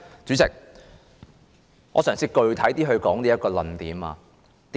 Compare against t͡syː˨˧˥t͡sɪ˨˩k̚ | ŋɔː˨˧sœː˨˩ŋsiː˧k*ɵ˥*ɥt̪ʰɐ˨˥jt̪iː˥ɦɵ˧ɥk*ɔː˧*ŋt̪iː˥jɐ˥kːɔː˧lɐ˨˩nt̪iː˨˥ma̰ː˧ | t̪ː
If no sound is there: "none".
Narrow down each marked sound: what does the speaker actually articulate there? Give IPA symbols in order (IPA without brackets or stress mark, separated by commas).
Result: ɵ˧, ɔː˨˥